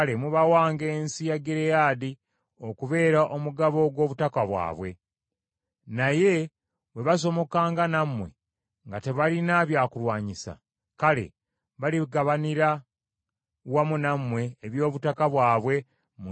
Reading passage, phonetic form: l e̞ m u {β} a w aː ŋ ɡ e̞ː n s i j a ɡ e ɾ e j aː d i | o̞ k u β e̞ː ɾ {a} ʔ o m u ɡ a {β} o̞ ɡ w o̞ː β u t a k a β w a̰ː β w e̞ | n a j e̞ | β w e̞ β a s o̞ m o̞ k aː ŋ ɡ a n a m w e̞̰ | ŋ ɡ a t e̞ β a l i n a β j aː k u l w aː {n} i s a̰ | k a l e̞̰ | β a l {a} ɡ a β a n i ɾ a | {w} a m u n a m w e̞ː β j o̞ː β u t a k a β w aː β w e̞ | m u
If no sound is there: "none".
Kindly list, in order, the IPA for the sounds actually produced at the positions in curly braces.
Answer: β, a, β, ɲ, i, w

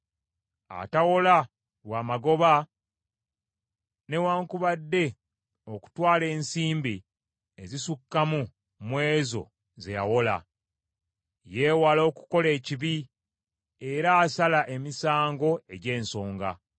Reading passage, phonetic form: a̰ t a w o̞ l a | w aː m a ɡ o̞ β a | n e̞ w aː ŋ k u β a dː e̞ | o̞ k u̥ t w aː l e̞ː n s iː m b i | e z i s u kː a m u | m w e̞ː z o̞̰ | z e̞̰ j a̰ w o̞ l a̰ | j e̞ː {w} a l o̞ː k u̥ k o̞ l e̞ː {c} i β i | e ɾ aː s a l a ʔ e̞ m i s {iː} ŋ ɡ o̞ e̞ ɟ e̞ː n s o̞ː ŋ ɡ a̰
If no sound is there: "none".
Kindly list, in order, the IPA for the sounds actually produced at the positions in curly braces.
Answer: w, c, aː

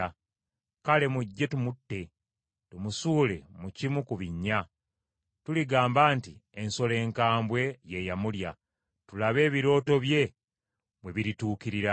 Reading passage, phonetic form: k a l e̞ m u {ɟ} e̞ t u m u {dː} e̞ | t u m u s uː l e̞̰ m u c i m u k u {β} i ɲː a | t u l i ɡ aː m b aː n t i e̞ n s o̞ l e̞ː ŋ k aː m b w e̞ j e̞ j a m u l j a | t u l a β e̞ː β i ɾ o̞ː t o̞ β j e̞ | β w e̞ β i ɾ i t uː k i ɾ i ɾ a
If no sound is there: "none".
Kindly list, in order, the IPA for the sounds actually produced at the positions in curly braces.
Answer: ɟː, tː, β

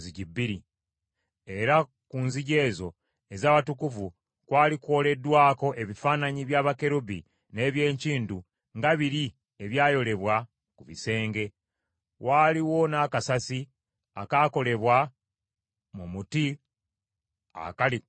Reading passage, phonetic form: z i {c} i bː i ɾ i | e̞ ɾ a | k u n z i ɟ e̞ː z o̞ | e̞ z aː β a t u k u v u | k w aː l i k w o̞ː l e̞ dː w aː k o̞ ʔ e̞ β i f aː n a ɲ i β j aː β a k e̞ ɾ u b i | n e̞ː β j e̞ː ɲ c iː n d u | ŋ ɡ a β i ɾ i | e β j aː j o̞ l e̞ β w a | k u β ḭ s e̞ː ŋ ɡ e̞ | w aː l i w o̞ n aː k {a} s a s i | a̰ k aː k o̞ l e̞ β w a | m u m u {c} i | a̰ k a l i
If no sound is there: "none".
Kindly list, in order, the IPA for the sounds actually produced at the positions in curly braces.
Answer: ɟ, a, t

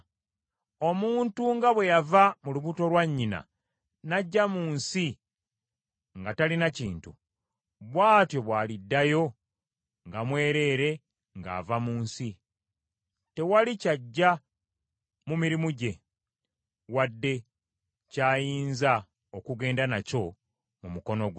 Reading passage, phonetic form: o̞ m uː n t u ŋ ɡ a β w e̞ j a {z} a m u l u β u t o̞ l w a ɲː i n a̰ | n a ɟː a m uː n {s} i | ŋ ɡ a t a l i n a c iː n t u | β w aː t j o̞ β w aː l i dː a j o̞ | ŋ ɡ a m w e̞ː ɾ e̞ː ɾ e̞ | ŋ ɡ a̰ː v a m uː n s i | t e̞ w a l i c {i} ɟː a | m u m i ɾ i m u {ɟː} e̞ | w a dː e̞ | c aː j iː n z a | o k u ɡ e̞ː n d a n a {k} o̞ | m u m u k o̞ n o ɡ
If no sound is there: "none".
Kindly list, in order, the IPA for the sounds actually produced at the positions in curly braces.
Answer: v, s, a, ɟ, c

